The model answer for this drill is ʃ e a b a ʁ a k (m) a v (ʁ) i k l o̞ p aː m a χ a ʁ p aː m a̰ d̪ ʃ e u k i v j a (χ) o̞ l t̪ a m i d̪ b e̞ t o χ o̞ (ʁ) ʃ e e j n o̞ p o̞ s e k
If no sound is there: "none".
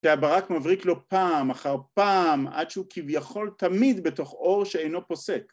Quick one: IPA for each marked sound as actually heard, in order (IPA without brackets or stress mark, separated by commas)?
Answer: m, ʁ, χ, ʁ